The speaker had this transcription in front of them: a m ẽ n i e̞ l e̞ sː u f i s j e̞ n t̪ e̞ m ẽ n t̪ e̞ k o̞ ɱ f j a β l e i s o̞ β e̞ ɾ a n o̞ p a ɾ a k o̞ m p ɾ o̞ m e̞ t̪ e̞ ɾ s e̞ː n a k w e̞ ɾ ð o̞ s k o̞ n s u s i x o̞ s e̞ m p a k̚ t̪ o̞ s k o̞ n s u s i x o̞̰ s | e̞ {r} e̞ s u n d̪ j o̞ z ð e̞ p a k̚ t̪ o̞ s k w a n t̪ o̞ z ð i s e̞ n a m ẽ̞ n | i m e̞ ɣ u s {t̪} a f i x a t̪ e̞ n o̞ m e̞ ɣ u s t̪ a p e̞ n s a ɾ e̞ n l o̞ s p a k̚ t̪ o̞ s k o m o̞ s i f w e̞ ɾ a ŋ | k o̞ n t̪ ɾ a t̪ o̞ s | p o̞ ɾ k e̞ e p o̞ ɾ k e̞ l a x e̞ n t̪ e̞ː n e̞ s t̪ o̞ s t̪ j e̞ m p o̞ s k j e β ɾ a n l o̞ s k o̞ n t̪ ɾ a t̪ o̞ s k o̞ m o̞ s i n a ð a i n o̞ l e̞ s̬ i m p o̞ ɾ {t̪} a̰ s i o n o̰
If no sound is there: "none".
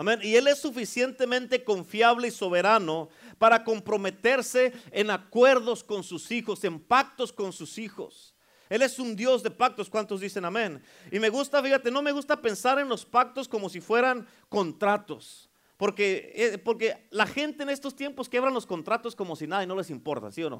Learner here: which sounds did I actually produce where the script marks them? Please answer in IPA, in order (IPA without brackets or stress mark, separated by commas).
l, t̪, t̪